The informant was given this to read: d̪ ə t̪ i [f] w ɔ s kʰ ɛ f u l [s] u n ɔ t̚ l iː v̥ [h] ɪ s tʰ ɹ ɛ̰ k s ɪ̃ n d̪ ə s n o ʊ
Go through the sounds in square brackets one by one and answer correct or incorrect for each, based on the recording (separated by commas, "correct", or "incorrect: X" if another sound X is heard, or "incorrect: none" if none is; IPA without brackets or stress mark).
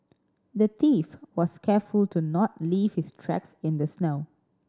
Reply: correct, incorrect: t, correct